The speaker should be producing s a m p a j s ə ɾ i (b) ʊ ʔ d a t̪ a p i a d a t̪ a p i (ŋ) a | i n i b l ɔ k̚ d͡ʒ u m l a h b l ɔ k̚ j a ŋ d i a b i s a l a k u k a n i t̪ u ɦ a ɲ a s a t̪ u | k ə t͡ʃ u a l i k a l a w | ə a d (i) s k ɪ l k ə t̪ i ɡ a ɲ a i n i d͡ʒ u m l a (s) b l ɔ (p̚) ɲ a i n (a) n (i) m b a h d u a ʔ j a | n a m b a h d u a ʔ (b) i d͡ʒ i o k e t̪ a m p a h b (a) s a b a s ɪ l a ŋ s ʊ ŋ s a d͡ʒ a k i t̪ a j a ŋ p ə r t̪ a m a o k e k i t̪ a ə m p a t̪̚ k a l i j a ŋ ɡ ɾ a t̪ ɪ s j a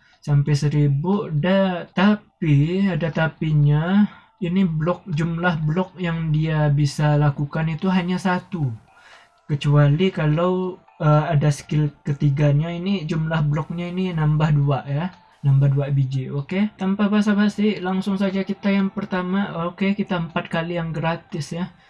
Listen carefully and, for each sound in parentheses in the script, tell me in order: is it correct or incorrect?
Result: correct, incorrect, incorrect, incorrect, incorrect, incorrect, incorrect, correct, correct

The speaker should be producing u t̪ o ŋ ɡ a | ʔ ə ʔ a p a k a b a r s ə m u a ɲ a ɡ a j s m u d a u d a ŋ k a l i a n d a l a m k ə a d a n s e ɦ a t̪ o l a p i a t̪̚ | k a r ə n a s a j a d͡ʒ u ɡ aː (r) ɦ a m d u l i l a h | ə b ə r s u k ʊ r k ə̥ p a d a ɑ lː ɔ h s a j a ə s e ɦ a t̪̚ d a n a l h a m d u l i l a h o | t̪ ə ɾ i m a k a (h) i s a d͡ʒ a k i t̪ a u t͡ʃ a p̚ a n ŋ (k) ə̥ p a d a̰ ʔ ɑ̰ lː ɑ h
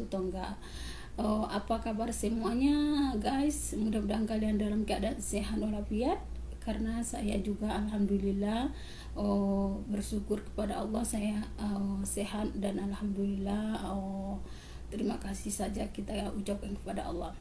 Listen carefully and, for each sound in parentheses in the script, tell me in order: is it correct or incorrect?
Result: incorrect, incorrect, correct

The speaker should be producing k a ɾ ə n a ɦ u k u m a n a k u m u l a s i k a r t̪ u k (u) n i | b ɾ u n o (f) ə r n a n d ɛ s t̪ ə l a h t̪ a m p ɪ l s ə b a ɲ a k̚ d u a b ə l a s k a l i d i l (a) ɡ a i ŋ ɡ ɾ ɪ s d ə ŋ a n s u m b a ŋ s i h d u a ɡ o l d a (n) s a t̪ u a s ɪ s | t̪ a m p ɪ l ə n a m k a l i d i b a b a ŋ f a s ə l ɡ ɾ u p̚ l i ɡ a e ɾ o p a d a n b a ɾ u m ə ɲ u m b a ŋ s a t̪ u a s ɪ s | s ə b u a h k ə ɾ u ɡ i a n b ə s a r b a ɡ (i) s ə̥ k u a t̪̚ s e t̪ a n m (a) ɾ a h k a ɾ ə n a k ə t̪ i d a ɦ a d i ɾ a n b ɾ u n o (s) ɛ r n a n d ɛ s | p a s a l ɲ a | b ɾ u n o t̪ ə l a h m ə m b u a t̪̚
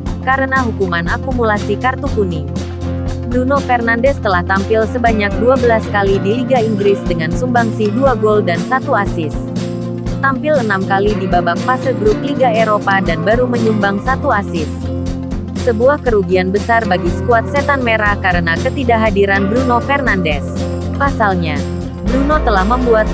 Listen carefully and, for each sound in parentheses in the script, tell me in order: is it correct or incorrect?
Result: correct, correct, incorrect, correct, correct, incorrect, incorrect

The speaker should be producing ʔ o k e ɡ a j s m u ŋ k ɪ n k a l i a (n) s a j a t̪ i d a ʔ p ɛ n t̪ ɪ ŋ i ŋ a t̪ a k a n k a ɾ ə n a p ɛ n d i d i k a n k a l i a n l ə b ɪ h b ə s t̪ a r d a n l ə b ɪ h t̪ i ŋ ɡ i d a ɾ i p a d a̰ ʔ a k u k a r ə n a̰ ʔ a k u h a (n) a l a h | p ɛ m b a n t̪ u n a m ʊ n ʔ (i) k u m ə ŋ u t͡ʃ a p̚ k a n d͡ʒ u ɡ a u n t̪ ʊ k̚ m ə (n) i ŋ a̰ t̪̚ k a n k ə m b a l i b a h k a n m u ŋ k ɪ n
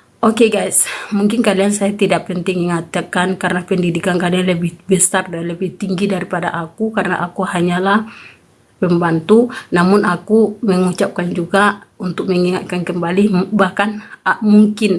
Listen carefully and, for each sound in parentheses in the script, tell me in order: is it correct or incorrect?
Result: correct, incorrect, incorrect, incorrect

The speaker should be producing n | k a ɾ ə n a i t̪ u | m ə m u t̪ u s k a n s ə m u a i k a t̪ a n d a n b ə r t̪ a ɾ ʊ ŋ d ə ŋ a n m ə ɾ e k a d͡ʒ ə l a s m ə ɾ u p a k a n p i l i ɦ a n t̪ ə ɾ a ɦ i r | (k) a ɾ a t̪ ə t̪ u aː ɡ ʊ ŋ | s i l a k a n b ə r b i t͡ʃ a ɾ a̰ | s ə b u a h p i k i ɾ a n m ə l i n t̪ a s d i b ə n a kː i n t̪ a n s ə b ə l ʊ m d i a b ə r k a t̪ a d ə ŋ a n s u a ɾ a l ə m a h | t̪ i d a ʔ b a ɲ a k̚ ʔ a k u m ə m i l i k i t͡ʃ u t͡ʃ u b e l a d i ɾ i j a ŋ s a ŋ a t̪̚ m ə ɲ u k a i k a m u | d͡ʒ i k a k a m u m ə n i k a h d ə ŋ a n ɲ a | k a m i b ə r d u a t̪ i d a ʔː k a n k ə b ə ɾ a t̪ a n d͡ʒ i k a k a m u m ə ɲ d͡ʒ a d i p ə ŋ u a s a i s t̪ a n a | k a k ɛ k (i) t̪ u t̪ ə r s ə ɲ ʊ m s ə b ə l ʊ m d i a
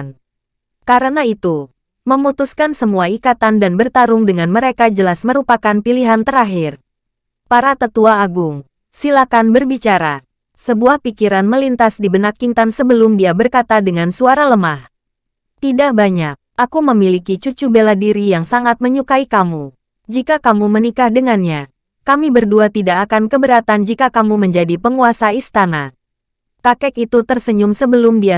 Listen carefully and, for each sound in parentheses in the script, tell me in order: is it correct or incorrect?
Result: incorrect, correct

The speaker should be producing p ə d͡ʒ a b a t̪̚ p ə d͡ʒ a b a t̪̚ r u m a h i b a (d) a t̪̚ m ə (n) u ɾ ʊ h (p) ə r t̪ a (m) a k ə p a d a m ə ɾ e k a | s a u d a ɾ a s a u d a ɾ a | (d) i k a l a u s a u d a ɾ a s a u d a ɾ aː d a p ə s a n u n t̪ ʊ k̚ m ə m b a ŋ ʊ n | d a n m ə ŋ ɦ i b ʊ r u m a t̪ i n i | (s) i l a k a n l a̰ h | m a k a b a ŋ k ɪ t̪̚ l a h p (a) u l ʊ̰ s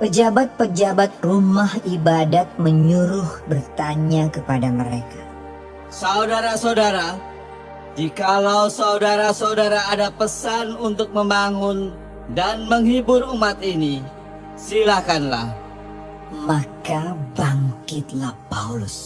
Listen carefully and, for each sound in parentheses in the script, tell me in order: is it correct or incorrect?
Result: correct, incorrect, incorrect, incorrect, incorrect, correct, correct

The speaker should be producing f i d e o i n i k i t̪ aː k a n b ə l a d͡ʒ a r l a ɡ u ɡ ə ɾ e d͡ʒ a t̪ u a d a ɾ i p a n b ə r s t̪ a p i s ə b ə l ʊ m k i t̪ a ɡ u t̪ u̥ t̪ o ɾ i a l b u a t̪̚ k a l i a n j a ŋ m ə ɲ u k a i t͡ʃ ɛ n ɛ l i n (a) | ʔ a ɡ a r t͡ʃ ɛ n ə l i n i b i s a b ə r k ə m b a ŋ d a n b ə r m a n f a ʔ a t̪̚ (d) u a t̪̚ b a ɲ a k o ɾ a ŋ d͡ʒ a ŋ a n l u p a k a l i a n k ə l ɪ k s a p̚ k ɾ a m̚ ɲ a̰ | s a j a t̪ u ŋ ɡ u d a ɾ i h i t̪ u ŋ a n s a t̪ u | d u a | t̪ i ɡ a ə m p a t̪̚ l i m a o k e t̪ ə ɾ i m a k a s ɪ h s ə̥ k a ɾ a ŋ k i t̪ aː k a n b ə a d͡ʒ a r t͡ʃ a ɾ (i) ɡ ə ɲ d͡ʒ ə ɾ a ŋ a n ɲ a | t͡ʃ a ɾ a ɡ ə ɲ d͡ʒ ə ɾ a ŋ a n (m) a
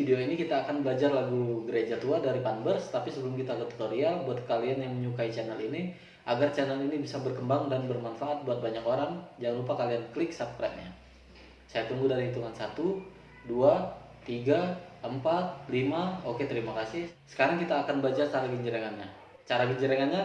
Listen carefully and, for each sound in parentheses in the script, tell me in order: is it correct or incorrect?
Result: incorrect, incorrect, incorrect, incorrect

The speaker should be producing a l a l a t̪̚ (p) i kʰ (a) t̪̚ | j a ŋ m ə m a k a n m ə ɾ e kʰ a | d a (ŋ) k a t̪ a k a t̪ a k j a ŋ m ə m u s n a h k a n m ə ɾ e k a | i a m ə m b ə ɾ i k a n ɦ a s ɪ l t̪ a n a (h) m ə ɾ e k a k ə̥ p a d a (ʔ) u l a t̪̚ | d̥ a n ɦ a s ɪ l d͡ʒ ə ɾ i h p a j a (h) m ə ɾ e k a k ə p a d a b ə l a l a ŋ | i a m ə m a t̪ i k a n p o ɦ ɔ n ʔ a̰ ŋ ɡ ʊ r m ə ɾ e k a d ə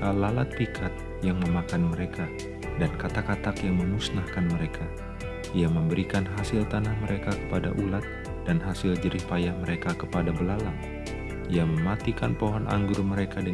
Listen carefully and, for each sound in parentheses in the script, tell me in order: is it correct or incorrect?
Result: correct, correct, incorrect, correct, correct, correct

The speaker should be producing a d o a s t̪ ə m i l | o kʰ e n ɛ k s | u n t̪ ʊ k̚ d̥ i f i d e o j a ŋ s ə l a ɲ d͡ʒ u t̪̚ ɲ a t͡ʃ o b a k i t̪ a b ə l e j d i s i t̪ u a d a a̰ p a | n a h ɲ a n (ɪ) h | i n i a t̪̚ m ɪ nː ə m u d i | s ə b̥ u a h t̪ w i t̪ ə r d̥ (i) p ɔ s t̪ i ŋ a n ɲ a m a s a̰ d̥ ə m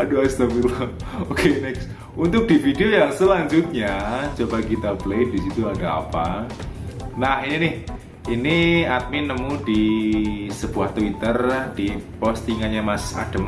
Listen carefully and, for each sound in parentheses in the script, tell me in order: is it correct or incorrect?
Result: correct, correct

